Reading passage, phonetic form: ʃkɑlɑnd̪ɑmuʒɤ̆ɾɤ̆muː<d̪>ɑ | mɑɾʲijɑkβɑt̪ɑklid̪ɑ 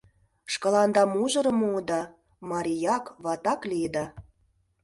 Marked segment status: correct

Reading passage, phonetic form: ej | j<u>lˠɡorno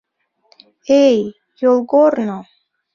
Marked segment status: incorrect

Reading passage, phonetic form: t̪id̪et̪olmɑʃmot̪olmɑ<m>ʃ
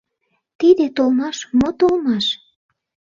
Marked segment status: incorrect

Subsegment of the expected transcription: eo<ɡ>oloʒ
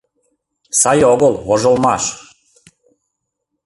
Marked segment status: correct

